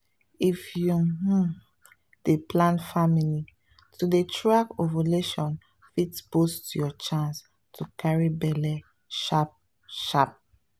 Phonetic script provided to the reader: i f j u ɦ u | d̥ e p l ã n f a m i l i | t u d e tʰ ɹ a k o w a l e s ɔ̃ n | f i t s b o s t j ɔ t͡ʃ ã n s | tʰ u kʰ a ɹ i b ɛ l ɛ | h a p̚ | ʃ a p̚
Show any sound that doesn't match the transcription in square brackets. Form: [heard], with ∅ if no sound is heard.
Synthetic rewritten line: i f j u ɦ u | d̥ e p l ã n f a m i l i | t u d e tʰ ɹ a k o [v] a l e [ʃ] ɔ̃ n | f i t s b o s t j ɔ t͡ʃ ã n s | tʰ u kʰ a ɹ i b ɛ l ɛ | [ʃ] a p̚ | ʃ a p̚